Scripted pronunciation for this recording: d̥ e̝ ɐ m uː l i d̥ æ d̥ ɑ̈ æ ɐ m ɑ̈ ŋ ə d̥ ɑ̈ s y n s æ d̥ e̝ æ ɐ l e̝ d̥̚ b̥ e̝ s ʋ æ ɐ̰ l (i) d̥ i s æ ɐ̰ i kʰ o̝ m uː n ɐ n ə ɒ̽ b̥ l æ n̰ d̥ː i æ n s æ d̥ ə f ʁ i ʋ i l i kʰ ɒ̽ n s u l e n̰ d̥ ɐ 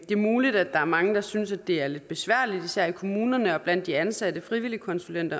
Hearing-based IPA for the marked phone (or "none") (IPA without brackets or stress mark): i